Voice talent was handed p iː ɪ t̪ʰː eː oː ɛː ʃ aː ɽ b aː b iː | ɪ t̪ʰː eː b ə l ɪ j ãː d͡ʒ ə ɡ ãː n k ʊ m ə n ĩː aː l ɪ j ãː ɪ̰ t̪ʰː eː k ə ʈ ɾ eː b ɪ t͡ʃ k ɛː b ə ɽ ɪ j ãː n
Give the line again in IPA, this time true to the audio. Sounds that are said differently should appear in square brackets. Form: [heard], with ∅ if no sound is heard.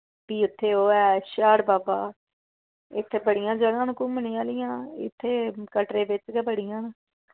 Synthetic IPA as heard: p iː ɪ t̪ʰː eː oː ɛː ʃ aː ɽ b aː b [aː] | ɪ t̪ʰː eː b ə [ɽ] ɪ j ãː d͡ʒ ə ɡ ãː n k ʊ m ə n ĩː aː l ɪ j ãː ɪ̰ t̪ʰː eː k ə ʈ ɾ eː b ɪ t͡ʃ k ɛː b ə ɽ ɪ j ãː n